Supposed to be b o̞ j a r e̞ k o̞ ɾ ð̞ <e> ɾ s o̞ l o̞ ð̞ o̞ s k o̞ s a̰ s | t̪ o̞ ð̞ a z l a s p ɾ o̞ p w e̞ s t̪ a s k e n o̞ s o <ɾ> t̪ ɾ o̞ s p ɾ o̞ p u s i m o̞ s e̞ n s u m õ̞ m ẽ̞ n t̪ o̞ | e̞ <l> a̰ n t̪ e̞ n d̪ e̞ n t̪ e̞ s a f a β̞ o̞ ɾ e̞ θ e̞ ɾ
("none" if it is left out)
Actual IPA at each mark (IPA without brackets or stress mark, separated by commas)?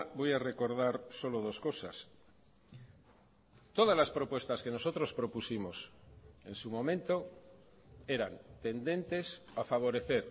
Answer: a, none, ɾ